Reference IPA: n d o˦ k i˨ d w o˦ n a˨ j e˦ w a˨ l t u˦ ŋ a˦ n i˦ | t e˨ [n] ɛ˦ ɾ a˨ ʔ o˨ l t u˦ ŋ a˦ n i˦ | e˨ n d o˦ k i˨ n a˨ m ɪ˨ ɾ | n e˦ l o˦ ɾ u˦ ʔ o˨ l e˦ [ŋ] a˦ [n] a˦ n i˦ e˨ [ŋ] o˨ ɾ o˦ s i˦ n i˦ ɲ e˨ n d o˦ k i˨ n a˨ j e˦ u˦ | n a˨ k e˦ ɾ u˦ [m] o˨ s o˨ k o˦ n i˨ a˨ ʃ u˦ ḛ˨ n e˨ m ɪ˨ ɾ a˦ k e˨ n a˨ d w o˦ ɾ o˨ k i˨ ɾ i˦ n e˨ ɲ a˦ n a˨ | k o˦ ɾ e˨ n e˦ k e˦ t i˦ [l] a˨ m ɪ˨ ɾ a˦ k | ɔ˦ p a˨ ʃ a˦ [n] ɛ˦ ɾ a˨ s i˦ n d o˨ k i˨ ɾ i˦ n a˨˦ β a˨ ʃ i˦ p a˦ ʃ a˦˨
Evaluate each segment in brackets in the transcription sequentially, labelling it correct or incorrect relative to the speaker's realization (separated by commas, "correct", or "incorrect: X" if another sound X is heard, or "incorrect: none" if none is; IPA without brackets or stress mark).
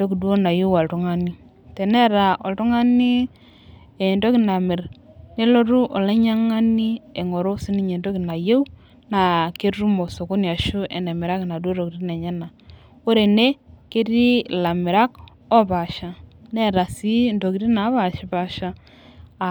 correct, incorrect: ɲ, incorrect: ŋ, correct, correct, correct, correct